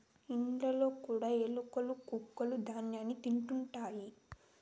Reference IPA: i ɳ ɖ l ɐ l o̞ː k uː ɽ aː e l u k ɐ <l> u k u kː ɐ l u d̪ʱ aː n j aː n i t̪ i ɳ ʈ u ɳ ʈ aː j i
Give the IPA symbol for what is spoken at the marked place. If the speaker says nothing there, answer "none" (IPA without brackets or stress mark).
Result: l